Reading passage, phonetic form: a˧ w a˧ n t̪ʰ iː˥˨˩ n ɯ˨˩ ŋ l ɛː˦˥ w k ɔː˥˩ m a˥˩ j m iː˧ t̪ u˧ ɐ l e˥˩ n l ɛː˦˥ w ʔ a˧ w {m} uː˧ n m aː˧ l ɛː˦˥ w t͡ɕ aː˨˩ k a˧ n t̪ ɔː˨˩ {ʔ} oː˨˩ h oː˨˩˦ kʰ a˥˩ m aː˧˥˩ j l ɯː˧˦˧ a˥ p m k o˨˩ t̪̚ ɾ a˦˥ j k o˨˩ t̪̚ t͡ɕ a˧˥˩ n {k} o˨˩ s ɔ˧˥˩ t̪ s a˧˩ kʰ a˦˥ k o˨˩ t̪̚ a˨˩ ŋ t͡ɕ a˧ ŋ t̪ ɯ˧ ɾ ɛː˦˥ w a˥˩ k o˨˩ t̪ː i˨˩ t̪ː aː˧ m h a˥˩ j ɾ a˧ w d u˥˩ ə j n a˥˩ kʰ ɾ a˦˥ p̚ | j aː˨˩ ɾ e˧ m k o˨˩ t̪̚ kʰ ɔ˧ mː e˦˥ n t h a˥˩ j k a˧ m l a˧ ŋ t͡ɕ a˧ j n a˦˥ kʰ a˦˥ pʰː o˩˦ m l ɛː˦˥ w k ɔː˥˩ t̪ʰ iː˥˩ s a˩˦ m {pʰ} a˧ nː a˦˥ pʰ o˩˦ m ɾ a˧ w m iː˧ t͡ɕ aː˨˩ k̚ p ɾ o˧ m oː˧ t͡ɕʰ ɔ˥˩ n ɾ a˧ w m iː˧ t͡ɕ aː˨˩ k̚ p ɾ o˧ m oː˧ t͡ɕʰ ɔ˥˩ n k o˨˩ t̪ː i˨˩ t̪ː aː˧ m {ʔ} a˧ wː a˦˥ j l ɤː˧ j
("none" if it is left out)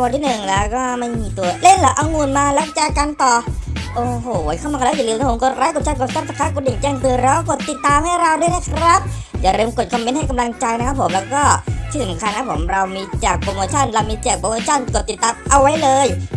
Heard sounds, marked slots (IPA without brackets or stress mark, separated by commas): ŋ, ʔ, k, kʰ, ʔ